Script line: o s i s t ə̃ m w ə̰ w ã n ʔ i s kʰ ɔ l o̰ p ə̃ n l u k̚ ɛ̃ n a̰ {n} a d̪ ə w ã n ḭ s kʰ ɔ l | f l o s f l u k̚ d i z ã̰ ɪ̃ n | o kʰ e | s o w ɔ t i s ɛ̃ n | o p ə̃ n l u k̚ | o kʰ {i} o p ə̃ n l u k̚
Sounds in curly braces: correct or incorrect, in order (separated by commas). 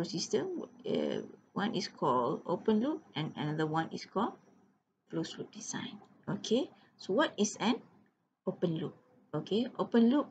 correct, incorrect